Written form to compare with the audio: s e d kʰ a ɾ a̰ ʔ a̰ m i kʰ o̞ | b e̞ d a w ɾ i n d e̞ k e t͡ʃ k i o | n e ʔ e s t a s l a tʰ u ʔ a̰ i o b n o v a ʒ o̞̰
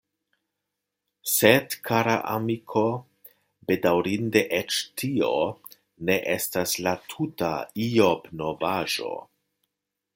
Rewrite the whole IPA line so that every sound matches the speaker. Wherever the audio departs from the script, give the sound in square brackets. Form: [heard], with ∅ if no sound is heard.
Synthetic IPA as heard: s e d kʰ a ɾ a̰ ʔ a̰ m i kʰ o̞ | b e̞ d a w ɾ i n d e̞ [ʔ] e t͡ʃ [t] i o | n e ʔ e s t a s l a tʰ u [t] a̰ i o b n o v a ʒ o̞̰